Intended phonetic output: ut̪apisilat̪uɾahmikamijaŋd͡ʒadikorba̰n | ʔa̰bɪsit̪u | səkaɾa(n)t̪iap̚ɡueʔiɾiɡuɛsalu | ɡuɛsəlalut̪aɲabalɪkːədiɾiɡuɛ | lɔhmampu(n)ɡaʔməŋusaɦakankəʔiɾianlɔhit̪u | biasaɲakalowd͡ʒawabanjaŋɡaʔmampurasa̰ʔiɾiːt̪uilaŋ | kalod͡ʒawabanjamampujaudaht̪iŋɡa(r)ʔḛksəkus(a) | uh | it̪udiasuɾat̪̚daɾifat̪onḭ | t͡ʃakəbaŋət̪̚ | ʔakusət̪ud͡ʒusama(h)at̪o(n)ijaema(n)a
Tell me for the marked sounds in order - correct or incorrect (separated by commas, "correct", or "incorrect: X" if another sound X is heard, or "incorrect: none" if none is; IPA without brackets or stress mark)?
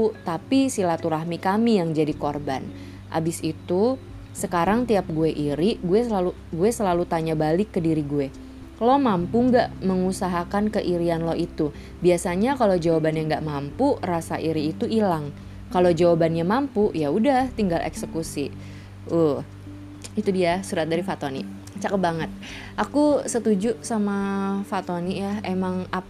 incorrect: ŋ, incorrect: ŋ, incorrect: l, incorrect: i, incorrect: f, correct, incorrect: ŋ